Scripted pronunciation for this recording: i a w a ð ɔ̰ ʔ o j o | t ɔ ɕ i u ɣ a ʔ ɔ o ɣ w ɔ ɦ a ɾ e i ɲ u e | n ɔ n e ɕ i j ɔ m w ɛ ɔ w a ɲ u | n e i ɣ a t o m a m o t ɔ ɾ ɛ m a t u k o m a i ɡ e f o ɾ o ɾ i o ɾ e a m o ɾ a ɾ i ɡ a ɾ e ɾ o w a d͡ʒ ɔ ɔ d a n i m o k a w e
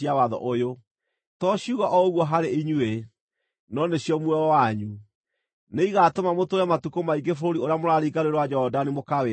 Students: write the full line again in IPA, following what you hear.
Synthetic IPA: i a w a ð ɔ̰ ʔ o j o | t ɔ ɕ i u ɣ a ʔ ɔ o ɣ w ɔ ɦ a ɾ e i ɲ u e | n ɔ n e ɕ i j ɔ m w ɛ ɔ w a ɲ u | n e i ɣ a t o m a m o t o ɾ ɛ m a t u k o m a i ɡ e f o ɾ o ɾ i o ɾ e a m o ɾ a ɾ i ɡ a ɾ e ɾ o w a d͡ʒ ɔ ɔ d a n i m o k a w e